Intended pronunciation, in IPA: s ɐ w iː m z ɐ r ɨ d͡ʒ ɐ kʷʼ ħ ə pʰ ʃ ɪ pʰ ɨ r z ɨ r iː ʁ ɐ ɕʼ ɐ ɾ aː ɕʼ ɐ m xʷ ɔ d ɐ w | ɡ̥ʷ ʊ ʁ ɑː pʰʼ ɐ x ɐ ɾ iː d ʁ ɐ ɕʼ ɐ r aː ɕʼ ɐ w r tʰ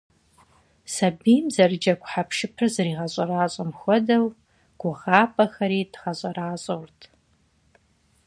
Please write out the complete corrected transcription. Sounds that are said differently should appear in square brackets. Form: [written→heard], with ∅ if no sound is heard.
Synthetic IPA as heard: s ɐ [w→b] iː m z ɐ r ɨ d͡ʒ ɐ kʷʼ ħ [ə→a] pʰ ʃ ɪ pʰ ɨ r z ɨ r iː ʁ ɐ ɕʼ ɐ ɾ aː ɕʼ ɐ m xʷ ɔ d ɐ w | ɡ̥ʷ ʊ ʁ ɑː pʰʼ ɐ x ɐ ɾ iː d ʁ ɐ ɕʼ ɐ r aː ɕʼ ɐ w r tʰ

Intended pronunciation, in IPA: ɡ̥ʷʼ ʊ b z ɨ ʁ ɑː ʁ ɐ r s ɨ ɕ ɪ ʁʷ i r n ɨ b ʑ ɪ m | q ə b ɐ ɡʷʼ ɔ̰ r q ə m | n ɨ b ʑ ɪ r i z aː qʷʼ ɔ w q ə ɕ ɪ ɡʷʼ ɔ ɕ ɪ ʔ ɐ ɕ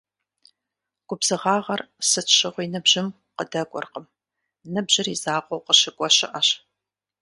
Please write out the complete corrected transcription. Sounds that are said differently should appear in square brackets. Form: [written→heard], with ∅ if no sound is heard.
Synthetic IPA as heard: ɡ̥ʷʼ ʊ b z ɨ ʁ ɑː ʁ ɐ r s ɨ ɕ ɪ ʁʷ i [r→∅] n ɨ b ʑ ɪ m | q ə [b→d] ɐ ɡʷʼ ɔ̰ r q ə m | n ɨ b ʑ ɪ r i z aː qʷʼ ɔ w q ə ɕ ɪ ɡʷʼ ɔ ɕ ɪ ʔ ɐ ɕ

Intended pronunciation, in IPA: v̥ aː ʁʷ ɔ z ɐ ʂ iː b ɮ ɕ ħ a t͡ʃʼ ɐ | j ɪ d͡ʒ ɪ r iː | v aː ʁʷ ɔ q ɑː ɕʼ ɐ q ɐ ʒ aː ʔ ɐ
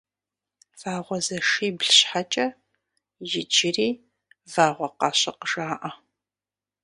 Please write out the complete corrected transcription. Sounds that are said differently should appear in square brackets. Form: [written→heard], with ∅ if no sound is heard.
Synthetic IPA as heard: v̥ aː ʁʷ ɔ z ɐ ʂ iː b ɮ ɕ ħ a t͡ʃʼ ɐ | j ɪ d͡ʒ ɪ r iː | v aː ʁʷ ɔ q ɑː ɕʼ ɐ q [ɐ→ə] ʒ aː ʔ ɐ

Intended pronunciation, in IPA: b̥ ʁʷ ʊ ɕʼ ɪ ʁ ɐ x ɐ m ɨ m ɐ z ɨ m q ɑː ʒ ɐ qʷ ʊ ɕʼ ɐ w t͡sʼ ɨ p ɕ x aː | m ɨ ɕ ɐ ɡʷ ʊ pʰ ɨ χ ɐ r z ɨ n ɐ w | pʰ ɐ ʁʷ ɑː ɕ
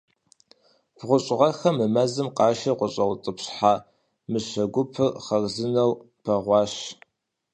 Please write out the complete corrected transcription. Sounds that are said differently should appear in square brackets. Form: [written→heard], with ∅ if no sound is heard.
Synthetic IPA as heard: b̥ ʁʷ ʊ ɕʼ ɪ ʁ ɐ x ɐ m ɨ m ɐ z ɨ m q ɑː [ʒ→ʃ] ɐ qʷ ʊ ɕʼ ɐ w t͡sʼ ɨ p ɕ [x→ħ] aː | m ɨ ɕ ɐ ɡʷ ʊ pʰ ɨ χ ɐ r z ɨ n ɐ w | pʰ ɐ ʁʷ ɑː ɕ

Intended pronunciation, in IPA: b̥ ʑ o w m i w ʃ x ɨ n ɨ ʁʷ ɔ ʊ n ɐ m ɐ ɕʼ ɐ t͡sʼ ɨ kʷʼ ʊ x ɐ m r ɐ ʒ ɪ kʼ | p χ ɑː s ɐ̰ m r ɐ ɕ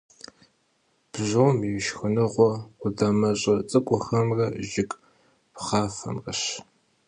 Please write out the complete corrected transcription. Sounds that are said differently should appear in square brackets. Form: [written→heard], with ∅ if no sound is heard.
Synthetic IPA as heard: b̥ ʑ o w m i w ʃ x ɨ n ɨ ʁʷ ɔ ʊ [n→d] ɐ m ɐ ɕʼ ɐ t͡sʼ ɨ kʷʼ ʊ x ɐ m r ɐ ʒ ɪ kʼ | p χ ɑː [s→f] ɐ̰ m r ɐ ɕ

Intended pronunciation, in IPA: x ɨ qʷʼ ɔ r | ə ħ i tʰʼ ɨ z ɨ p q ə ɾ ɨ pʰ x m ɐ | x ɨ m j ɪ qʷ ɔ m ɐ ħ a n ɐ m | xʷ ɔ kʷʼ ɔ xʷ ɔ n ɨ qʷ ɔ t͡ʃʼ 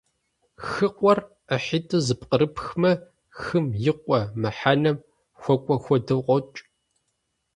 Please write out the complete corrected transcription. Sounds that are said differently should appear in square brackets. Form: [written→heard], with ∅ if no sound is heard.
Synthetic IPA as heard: x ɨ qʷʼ ɔ r | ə ħ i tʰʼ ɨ z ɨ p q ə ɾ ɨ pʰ x m ɐ | x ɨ m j ɪ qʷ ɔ m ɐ ħ a n ɐ m | xʷ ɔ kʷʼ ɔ xʷ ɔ [n→d] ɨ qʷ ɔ t͡ʃʼ

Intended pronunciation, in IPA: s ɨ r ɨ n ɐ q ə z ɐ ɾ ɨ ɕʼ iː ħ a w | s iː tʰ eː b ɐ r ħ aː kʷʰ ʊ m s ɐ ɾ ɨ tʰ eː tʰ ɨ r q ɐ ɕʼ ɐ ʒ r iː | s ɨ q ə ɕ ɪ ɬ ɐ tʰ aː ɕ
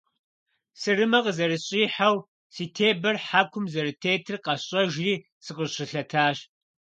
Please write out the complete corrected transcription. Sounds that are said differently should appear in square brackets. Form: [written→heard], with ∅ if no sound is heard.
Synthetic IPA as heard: s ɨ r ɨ [n→m] ɐ q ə z ɐ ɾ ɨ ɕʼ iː ħ a w | s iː tʰ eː b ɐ r ħ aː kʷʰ ʊ m [s→z] ɐ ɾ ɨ tʰ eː tʰ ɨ r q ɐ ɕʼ ɐ ʒ r iː | s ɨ q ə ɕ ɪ ɬ ɐ tʰ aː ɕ

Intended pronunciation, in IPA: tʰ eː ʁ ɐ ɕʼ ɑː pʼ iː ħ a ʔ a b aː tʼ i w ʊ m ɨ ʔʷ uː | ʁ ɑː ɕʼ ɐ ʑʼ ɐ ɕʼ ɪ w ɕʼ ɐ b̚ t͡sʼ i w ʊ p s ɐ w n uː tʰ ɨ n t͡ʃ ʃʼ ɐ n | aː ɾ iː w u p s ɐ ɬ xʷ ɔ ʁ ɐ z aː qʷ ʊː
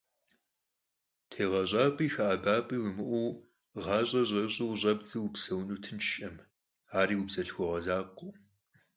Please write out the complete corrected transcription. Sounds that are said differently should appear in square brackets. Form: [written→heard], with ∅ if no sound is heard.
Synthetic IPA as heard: tʰ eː ʁ ɐ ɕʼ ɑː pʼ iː [ħ→x] a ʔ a b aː [tʼ→pʼ] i w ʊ m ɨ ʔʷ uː | ʁ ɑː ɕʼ ɐ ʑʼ ɐ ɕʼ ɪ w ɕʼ ɐ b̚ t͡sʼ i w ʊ p s ɐ w n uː tʰ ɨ n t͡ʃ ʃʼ ɐ [n→m] | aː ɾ iː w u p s ɐ ɬ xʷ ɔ ʁ ɐ z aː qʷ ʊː

